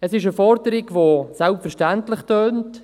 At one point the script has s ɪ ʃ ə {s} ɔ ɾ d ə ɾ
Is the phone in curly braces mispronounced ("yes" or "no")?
yes